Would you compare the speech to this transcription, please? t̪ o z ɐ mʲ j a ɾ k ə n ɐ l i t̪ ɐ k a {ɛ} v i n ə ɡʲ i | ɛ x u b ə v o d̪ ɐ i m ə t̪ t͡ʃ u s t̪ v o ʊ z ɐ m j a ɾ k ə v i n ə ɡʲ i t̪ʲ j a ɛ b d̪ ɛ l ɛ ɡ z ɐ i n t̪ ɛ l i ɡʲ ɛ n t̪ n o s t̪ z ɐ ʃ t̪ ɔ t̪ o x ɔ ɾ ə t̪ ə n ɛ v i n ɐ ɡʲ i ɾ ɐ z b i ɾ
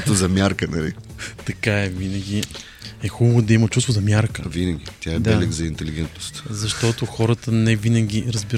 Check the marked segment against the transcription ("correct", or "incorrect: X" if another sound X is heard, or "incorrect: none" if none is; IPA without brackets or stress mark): correct